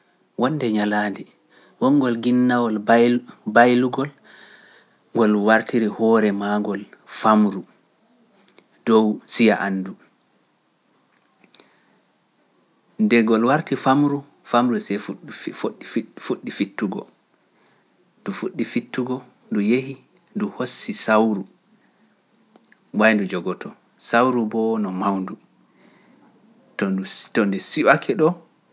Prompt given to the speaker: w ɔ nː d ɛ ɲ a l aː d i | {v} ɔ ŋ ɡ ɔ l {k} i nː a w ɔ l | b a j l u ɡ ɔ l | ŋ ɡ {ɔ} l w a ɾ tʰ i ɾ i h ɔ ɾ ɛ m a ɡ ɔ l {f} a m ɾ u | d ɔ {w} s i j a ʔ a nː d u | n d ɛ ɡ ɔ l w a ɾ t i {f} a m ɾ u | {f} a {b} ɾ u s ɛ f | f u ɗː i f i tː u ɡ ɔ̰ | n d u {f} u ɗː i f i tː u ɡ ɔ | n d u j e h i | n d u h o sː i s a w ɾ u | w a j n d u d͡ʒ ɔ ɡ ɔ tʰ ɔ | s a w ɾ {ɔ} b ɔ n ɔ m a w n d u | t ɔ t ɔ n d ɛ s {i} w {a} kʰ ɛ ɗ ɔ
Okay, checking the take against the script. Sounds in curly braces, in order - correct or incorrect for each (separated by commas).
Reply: incorrect, incorrect, correct, correct, correct, correct, correct, incorrect, correct, incorrect, correct, correct